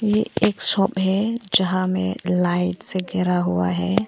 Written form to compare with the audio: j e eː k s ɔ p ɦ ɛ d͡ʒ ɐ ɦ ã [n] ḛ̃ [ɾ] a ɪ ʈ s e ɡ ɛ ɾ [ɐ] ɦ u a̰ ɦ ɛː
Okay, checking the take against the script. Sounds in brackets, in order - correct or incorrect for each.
incorrect: m, incorrect: l, incorrect: a

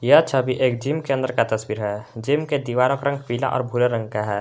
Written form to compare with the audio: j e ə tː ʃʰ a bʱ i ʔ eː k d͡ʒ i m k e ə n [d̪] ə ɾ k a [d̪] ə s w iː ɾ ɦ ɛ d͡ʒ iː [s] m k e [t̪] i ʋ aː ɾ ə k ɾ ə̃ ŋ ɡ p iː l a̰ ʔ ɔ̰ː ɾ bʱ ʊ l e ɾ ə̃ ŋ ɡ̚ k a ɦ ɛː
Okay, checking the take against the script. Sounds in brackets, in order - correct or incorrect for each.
correct, incorrect: t̪, incorrect: none, incorrect: d̪

